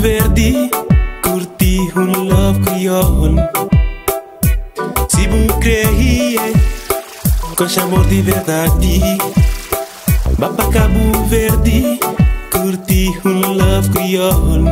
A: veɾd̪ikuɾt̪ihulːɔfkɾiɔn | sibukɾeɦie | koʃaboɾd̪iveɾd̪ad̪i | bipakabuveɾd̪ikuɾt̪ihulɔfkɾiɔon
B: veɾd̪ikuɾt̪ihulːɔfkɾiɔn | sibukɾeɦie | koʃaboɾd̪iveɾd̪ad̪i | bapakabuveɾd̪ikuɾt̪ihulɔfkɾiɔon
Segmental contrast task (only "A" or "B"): B